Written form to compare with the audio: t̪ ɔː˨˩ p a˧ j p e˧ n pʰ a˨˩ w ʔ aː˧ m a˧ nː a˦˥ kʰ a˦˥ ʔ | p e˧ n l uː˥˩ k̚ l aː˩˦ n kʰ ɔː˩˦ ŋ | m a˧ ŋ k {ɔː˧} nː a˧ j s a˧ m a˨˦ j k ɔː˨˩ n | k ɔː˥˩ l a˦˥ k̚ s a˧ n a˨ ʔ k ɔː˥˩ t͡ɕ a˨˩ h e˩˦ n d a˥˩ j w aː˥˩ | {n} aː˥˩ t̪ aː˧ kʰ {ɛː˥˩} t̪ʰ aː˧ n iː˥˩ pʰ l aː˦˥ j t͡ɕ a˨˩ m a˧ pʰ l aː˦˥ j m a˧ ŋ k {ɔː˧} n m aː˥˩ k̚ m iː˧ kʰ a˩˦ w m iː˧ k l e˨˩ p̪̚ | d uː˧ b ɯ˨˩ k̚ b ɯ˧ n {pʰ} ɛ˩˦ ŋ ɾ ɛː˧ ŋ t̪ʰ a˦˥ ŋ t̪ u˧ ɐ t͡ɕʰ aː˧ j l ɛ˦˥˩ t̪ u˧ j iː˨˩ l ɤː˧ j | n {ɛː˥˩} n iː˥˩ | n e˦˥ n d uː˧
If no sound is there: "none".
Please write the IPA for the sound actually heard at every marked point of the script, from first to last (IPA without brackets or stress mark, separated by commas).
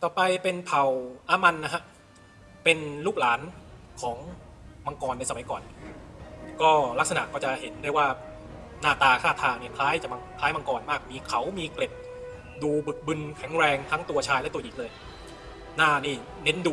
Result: ɔː˧, n, aː˥˩, ɔː˧, kʰ, aː˥˩